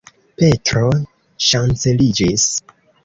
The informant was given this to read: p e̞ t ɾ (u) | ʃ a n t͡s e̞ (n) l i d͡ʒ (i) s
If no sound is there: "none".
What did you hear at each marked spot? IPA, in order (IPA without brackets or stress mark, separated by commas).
o, none, i